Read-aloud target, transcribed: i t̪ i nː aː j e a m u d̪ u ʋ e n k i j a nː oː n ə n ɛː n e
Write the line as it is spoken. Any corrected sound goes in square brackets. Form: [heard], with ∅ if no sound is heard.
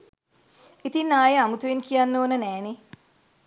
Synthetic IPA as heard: i t̪ i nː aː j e a m u [t̪] u ʋ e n k i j a nː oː n ə n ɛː n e